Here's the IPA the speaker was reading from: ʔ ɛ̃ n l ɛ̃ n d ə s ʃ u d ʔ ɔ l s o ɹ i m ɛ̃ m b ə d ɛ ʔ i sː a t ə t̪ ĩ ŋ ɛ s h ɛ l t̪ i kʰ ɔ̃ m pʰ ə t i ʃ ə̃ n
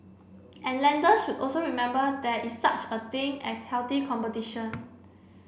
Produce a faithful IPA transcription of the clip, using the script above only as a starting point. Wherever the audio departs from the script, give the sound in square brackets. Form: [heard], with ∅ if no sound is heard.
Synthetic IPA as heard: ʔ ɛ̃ n l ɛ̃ n d ə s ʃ u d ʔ ɔ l s o ɹ i m ɛ̃ m b ə d ɛ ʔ i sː a [t͡ʃ] ə t̪ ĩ ŋ ɛ s h ɛ l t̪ i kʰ ɔ̃ m [p] ə t i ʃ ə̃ n

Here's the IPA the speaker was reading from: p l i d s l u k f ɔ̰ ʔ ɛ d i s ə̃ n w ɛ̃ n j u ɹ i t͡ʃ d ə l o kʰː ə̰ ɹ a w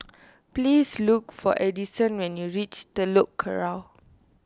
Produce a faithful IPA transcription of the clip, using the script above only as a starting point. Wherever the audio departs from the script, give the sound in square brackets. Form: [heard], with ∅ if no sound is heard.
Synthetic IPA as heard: p l i [∅] s l u k f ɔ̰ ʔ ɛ d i s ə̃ n w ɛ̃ n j u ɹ i t͡ʃ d ə l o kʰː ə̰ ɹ a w

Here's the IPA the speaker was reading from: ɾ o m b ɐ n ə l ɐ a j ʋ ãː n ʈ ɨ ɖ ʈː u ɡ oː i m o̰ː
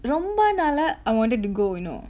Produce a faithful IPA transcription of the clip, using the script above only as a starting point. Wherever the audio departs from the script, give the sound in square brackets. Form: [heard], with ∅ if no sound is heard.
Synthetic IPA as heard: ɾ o m b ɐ n [ɐ] l ɐ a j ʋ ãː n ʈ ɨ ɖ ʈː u ɡ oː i [n] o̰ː

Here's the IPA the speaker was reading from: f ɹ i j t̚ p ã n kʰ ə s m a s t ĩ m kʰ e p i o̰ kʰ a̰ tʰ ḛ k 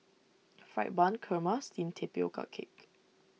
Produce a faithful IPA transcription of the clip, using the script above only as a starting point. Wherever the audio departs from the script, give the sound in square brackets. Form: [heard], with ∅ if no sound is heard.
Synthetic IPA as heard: f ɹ [a] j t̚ [b] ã n kʰ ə [∅] m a s t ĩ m [tʰ] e p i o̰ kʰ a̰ [kʰ] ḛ k

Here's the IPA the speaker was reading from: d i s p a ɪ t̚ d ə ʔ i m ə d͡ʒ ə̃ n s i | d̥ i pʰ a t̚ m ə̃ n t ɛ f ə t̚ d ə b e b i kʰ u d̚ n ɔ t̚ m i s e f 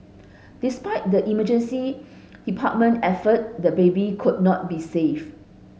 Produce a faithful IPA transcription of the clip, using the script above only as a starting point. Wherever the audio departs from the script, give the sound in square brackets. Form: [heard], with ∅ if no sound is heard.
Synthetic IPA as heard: d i s p a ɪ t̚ d ə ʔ i m ə d͡ʒ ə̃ n s i | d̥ i pʰ a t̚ m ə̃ n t ɛ f ə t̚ d ə b e b i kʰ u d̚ n ɔ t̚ [b] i s e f

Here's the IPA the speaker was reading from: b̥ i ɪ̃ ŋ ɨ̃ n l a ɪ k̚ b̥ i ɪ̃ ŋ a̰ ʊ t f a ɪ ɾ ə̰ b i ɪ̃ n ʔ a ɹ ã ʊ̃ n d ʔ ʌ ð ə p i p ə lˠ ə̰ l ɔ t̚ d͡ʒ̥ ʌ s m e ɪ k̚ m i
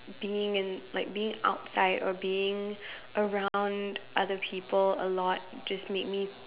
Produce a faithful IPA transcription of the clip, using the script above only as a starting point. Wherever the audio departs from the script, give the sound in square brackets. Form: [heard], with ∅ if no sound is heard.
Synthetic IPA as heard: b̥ i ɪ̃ ŋ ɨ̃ n l a ɪ k̚ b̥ i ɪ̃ ŋ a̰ ʊ t [s] a ɪ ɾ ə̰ b i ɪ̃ [ŋ] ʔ [ə] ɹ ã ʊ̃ n d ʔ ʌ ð ə [pʰ] i p ə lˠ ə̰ l ɔ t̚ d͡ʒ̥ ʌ s m e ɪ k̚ m i

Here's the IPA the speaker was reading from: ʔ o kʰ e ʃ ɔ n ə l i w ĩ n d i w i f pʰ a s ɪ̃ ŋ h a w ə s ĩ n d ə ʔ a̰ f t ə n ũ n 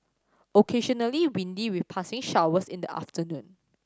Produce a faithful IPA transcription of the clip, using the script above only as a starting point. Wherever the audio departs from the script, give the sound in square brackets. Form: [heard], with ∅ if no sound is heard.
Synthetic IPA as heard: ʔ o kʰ e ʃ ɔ n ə l i w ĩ n d i w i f pʰ a s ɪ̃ ŋ [ʃ] a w ə s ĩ n d ə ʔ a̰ f t ə n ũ n

